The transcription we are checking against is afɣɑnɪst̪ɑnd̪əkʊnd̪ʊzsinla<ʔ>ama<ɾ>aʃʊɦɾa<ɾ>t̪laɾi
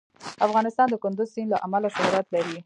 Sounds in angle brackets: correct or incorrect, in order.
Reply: correct, incorrect: l, incorrect: none

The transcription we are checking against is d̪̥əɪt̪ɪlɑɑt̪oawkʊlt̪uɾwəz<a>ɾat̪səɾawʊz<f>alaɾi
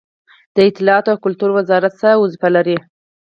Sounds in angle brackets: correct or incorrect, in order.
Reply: incorrect: ɑ, correct

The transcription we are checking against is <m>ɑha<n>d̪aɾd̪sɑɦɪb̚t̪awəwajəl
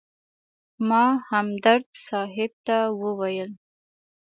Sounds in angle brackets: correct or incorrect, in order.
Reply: correct, incorrect: m

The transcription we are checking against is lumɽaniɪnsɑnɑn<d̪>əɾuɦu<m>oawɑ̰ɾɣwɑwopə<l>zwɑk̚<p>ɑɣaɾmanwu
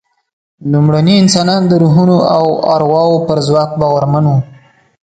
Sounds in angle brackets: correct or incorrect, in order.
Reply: correct, incorrect: n, incorrect: ɾ, incorrect: b

